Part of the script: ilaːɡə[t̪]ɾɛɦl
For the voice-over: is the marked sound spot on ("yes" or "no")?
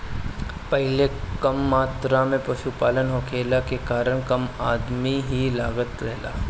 yes